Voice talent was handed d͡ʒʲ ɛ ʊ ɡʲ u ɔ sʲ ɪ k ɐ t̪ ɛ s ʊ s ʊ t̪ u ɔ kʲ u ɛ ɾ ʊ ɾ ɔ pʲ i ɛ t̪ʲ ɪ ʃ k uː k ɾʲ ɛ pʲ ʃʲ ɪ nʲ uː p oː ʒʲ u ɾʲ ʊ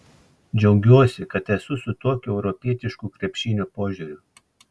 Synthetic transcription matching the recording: d͡ʒʲ ɛ ʊ ɡʲ u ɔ sʲ ɪ k ɐ t̪ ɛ s ʊ s ʊ t̪ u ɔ kʲ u ɛ ʊ ɾ ɔ pʲ i ɛ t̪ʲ ɪ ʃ k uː k ɾʲ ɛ pʲ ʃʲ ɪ nʲ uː p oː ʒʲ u ɾʲ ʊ